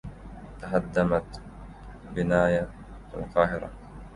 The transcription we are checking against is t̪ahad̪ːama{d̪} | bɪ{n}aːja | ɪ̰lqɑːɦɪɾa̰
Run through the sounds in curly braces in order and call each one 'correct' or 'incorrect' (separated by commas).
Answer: incorrect, correct